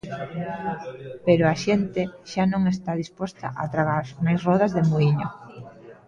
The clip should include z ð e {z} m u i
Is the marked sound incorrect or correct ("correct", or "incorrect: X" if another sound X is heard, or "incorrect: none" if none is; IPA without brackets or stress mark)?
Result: incorrect: none